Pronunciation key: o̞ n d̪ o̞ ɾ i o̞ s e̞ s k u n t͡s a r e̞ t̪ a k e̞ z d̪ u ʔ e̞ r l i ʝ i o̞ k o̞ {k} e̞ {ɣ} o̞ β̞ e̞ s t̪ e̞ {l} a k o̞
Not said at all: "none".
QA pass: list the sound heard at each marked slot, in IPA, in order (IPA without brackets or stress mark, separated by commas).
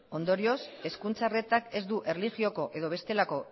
ʔ, ð, l